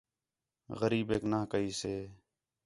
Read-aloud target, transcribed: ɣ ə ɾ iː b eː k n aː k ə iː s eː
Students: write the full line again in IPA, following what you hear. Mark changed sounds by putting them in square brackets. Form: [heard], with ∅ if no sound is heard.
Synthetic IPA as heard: ɣ ə ɾ iː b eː k n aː k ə iː s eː